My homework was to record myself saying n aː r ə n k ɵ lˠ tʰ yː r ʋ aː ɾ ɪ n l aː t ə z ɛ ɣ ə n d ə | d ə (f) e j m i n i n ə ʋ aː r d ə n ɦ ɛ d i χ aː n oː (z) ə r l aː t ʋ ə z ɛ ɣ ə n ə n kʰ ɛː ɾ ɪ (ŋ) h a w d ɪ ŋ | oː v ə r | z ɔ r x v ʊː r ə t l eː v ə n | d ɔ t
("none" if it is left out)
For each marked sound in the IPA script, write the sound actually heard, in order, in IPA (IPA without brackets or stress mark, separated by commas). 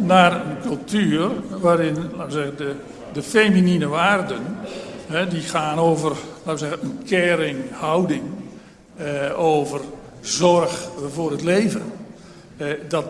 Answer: f, v, ŋ